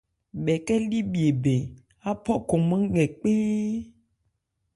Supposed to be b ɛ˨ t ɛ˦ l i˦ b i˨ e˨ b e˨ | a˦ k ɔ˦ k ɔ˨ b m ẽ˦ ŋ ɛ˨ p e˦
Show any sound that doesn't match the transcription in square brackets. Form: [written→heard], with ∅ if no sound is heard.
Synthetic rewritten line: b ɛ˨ [t→k] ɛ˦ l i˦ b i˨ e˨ b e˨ | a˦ [k→p] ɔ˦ k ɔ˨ [b→∅] m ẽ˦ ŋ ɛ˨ [p→k͡p] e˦